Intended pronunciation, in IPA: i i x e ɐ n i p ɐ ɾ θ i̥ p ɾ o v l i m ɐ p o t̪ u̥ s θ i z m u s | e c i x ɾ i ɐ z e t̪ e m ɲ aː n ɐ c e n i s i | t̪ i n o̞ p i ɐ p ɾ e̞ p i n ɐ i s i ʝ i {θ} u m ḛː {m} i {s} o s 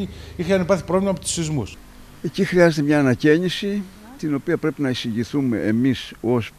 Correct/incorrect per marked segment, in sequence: correct, correct, correct

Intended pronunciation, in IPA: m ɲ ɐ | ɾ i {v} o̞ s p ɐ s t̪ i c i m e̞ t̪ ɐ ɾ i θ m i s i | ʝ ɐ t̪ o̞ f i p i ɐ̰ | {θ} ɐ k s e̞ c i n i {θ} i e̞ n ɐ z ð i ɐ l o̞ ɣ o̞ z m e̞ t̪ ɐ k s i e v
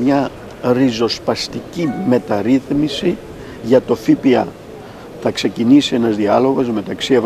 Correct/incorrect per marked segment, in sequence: incorrect: z, correct, incorrect: s

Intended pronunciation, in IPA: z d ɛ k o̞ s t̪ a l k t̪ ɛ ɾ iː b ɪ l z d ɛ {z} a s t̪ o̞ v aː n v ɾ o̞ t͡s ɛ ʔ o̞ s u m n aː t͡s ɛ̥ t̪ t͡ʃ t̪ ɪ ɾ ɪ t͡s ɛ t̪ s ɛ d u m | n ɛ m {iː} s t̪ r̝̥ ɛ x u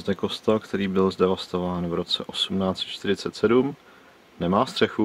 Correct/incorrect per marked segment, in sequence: incorrect: v, incorrect: aː

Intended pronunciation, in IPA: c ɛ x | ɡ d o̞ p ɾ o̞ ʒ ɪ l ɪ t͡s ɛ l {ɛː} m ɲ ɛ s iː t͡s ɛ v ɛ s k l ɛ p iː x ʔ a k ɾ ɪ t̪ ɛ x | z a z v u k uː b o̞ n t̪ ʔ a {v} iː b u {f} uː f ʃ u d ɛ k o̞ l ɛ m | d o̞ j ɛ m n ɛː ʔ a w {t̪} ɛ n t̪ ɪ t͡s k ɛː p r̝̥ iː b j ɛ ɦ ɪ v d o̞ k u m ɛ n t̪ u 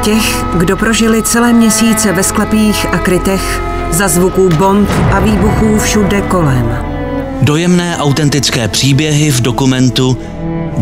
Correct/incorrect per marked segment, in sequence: correct, correct, incorrect: x, correct

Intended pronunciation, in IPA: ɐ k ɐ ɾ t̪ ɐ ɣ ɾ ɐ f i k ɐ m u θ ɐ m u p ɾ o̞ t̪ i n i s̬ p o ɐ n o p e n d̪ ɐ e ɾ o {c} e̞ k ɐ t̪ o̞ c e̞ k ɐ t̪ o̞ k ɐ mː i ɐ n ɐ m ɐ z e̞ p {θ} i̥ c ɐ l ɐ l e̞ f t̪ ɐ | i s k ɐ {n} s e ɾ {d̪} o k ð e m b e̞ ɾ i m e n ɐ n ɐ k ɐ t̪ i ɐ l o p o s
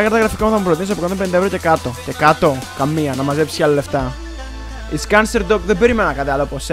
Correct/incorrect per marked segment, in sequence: correct, incorrect: s, correct, correct

